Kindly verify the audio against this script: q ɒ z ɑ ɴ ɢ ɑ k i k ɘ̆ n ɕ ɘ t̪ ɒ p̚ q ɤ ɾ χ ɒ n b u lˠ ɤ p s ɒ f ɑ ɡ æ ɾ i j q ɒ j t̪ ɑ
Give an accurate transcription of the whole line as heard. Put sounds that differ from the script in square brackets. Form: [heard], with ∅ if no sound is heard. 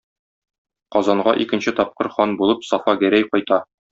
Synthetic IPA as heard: q ɒ z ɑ ɴ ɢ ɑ [ʔ] i k ɘ̆ n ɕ ɘ t̪ ɒ p̚ q ɤ ɾ χ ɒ n b u lˠ ɤ p s ɒ f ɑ ɡ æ ɾ [æ] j q ɒ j t̪ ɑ